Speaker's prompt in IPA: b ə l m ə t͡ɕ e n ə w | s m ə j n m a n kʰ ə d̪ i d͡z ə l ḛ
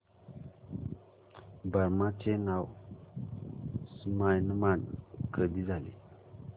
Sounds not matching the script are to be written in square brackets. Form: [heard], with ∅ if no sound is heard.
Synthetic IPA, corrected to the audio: b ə [ɾ] m [a] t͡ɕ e n [a] w | s m [a] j n m a n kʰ ə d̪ i d͡z [a] l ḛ